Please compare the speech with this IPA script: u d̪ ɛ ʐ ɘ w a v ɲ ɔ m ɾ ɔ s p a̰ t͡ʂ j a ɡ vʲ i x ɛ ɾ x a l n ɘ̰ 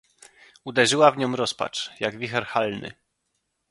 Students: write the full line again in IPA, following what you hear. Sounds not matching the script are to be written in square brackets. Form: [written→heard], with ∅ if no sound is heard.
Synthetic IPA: u d̪ ɛ ʐ ɘ w a v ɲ ɔ m ɾ ɔ s p a̰ t͡ʂ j a ɡ vʲ i x ɛ ɾ x a l n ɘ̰